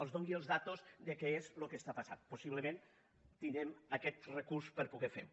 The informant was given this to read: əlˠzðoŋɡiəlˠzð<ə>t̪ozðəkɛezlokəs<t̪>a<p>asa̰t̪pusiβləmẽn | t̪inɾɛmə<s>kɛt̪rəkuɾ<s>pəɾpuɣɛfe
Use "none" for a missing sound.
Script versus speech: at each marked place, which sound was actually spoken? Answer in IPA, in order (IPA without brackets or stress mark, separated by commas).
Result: a, t̪, p, none, s